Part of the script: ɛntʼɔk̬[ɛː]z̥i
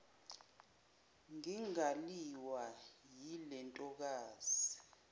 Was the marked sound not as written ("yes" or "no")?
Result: yes